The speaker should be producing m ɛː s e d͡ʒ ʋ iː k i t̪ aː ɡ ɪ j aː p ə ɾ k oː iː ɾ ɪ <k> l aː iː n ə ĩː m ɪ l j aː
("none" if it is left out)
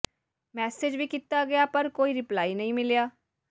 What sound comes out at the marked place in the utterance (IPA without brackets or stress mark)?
p